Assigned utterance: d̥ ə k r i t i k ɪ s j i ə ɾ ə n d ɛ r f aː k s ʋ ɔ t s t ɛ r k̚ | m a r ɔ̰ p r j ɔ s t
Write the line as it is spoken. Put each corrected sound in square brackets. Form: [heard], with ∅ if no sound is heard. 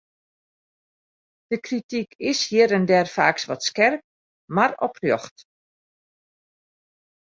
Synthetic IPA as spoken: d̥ ə k r i t i k ɪ s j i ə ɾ ə n d ɛ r f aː k s ʋ ɔ t s [k] ɛ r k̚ | m a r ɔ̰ p r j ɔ [x] t